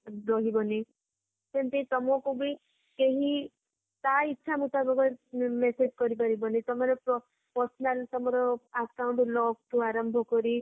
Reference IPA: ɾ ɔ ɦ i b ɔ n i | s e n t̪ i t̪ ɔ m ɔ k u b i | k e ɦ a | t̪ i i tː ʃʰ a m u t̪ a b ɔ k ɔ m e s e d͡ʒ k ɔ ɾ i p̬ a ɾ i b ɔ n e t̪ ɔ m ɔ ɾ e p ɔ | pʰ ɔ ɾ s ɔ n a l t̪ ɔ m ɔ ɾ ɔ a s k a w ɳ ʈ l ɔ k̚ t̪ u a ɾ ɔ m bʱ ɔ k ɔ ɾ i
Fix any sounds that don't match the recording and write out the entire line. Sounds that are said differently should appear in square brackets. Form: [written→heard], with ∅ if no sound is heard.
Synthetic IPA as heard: ɾ ɔ ɦ i b ɔ n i | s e n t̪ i t̪ ɔ m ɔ k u b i | k e ɦ [a→i] | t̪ [i→a] i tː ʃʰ a m u t̪ a b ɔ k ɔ m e s e d͡ʒ k ɔ ɾ i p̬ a ɾ i b ɔ n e t̪ ɔ m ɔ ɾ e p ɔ | [pʰ→p] ɔ ɾ s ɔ n a l t̪ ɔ m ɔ ɾ ɔ a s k a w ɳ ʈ l ɔ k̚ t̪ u a ɾ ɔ m bʱ ɔ k ɔ ɾ i